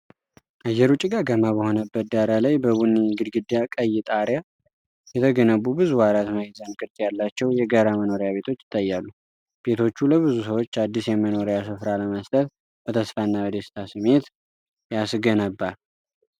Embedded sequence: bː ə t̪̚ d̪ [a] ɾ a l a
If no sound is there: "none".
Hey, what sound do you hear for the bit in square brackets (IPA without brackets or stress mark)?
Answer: a